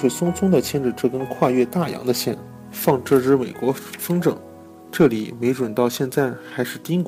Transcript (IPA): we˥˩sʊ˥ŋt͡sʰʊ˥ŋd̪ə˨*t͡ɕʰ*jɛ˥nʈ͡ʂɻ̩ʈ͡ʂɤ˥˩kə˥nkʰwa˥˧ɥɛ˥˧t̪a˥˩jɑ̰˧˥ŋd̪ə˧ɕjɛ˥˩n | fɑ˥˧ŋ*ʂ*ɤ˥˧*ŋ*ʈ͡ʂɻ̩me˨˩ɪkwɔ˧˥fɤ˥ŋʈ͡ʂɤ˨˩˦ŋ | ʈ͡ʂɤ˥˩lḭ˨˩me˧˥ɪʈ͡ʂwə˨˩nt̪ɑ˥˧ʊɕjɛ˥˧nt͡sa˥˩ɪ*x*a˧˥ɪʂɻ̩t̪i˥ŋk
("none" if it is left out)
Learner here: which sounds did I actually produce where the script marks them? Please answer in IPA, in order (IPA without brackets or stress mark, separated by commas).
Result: t͡ɕʰ, ʈ͡ʂ, none, x